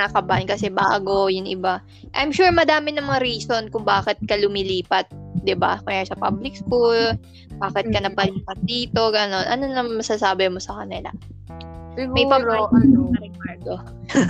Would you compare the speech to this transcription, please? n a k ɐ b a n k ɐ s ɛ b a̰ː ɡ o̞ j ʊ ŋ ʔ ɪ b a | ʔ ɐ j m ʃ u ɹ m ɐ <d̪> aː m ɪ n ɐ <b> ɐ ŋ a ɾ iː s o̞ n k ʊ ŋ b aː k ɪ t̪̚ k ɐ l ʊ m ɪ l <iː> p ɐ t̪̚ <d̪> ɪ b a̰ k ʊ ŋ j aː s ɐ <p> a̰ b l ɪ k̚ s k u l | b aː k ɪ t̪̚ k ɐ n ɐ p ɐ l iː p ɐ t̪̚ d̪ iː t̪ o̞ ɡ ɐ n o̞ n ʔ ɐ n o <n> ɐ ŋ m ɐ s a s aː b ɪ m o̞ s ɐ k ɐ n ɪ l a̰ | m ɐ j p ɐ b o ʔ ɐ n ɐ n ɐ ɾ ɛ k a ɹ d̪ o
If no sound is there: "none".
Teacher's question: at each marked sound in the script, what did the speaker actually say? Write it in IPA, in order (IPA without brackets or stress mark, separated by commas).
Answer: d̪, m, iː, d̪, p, n